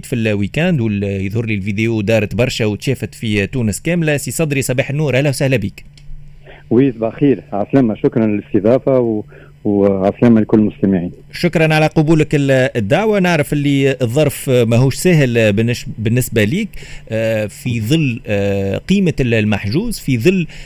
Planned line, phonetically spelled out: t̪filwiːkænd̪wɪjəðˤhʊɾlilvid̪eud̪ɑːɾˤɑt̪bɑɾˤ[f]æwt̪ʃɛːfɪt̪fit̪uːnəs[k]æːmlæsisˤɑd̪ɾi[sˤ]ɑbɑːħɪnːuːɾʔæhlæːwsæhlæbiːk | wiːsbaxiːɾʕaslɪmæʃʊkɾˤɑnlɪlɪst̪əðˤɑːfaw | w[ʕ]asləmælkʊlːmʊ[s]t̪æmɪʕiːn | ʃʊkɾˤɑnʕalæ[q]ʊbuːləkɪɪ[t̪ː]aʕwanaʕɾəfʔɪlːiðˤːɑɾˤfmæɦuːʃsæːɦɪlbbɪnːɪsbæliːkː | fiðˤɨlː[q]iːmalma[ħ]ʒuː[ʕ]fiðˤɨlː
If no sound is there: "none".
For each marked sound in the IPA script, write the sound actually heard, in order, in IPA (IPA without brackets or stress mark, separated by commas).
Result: ʃ, k, sˤ, ʕ, s, q, d̪ː, q, ħ, z